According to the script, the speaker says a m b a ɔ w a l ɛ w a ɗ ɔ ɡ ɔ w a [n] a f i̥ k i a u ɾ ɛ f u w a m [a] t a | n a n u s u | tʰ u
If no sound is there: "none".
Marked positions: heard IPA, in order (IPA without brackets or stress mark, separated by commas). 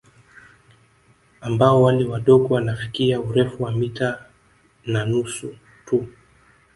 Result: n, i